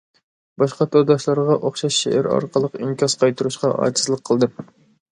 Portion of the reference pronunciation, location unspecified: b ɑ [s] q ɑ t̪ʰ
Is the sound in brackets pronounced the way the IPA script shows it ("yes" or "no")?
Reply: no